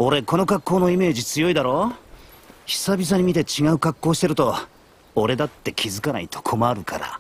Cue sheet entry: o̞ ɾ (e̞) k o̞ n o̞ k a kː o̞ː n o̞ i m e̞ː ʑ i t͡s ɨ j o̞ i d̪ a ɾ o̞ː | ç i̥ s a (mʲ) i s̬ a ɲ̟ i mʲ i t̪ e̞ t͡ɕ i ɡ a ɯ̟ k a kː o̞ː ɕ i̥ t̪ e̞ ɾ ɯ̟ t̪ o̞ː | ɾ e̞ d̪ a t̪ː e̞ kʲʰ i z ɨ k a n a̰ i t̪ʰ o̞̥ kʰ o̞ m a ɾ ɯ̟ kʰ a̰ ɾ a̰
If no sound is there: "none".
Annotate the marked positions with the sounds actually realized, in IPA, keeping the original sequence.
e̞, bʲ

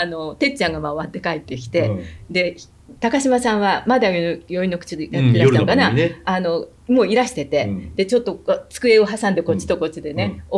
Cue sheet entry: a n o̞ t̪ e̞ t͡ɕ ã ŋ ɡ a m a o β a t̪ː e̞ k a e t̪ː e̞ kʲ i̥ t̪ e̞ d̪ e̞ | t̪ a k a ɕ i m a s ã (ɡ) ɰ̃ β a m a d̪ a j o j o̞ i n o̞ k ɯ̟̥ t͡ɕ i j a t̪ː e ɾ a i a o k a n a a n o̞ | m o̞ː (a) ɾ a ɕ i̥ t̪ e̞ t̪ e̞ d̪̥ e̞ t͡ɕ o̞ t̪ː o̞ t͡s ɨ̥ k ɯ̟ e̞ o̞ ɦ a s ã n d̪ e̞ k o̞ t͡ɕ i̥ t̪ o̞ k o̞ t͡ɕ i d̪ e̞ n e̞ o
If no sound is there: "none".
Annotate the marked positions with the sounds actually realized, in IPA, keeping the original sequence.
none, i

